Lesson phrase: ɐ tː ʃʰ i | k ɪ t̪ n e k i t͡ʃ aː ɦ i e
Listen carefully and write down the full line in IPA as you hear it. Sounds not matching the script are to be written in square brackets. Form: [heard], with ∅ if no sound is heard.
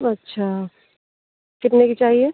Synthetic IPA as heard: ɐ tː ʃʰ [a] | k ɪ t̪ n e k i t͡ʃ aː ɦ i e